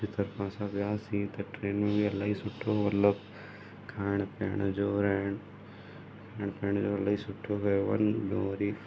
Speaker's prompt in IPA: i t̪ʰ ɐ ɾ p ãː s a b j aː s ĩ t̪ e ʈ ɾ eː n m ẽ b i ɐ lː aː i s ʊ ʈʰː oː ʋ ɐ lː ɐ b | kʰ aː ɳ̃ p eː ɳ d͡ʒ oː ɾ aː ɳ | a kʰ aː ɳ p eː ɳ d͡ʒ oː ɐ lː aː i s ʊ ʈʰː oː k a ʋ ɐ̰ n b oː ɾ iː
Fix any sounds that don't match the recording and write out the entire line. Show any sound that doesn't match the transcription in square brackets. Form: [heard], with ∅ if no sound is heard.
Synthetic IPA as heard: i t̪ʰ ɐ ɾ p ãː s a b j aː s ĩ t̪ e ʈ ɾ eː n m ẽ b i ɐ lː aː i s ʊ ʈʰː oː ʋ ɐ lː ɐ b | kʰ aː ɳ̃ p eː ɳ d͡ʒ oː ɾ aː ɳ | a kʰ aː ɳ p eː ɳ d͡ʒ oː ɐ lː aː i s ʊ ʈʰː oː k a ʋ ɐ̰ n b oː ɾ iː